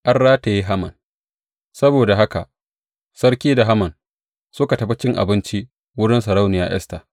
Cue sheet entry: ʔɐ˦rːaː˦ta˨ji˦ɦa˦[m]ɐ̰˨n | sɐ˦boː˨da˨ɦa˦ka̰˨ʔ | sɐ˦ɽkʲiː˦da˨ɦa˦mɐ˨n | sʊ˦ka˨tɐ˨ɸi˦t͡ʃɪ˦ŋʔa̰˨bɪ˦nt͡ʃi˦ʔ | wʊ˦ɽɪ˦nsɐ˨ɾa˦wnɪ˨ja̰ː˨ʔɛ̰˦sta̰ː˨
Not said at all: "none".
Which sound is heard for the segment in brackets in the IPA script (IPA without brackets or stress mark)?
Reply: m